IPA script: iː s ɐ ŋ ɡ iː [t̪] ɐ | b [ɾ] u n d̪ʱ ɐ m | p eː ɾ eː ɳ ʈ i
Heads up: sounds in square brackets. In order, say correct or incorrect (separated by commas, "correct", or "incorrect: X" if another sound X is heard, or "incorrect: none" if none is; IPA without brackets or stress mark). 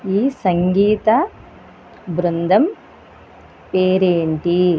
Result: correct, correct